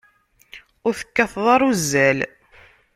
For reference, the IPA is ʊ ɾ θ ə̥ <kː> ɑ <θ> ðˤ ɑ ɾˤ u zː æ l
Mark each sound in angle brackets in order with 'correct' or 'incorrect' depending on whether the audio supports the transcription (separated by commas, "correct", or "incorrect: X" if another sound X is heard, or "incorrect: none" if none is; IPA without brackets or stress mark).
correct, correct